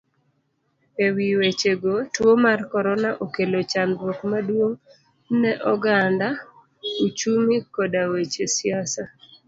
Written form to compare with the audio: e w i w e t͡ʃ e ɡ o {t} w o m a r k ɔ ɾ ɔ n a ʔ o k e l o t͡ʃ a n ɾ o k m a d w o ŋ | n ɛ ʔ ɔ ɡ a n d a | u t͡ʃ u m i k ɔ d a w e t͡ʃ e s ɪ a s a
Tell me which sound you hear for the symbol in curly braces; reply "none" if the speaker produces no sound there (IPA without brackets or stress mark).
t